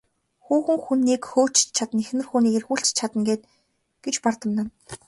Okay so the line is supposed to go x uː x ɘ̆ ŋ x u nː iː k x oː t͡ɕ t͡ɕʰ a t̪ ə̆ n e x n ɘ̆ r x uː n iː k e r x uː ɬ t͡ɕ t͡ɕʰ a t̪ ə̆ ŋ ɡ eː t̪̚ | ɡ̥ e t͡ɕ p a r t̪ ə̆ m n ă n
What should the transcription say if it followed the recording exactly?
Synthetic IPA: x uː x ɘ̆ ŋ x u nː iː k x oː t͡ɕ t͡ɕʰ a t̪ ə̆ n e x n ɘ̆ r x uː n iː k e r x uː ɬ t͡ɕ t͡ɕʰ a t̪ ə̆ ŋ ɡ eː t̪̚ | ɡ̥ e t͡ɕ p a r t̪ ə̆ m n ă n

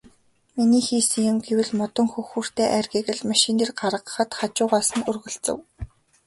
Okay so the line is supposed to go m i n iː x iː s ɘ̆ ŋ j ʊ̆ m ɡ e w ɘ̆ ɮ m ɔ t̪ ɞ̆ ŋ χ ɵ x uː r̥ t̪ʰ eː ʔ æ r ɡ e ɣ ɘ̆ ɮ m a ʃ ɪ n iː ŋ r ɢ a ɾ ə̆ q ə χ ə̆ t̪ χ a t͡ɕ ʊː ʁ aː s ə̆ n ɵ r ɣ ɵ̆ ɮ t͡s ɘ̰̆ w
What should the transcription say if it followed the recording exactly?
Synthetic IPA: m i n iː x iː s ɘ̆ ŋ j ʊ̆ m ɡ e w ɘ̆ ɮ m ɔ t̪ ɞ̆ ŋ x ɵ x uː r̥ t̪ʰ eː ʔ æ r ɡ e ɣ ɘ̆ ɮ m a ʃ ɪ n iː r ɢ a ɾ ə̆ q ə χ ə̆ t̪ χ a t͡ɕ ʊː ʁ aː s ə̆ n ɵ r ɣ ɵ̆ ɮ t͡s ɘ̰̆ w

